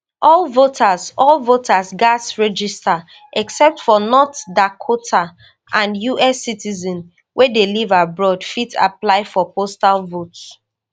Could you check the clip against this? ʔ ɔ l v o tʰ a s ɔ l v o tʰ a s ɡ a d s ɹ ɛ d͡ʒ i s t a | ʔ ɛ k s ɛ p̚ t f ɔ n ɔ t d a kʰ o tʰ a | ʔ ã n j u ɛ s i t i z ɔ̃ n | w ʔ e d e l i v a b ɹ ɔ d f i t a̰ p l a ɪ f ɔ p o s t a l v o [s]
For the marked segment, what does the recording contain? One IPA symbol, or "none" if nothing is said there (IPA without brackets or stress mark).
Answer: t